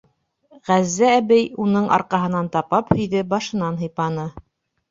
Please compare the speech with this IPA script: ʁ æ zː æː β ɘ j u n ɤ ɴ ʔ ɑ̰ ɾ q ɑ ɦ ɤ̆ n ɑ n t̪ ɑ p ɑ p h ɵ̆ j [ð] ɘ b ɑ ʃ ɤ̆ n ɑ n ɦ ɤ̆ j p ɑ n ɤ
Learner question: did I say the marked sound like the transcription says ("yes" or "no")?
yes